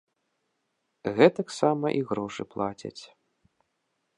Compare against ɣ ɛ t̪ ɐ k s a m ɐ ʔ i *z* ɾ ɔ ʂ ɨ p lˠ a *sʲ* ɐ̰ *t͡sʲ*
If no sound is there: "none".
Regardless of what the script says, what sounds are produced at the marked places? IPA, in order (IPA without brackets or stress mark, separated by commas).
ɣ, t͡sʲ, t͡sʲ